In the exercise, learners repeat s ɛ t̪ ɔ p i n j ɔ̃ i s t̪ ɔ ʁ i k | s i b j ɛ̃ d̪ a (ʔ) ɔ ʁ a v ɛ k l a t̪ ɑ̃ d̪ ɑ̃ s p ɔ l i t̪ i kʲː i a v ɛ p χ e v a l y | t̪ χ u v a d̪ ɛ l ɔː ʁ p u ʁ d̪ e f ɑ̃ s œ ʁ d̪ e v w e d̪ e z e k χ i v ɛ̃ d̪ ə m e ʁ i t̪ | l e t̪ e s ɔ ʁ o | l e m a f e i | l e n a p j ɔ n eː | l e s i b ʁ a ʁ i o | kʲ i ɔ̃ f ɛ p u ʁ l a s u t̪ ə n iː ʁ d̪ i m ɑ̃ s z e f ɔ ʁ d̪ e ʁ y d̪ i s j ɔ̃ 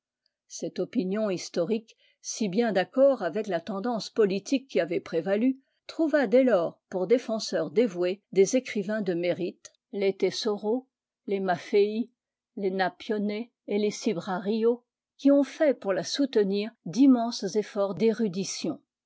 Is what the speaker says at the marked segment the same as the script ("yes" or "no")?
no